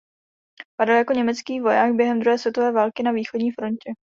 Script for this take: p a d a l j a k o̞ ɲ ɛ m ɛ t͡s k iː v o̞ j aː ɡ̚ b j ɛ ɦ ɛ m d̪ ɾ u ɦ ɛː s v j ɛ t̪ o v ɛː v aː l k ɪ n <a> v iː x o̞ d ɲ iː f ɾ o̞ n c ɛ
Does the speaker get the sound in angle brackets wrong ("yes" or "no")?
no